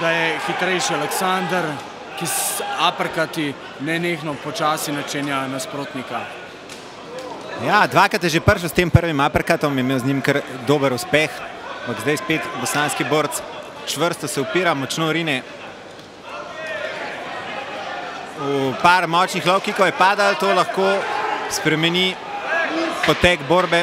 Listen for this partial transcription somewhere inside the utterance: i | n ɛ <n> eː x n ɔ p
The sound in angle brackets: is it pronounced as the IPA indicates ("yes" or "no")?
yes